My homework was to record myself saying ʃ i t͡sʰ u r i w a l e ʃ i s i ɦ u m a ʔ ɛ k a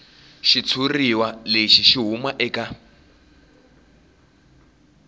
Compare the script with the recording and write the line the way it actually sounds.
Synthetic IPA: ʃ i t͡sʰ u r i w a l e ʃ i ʃ i ɦ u m a ʔ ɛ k a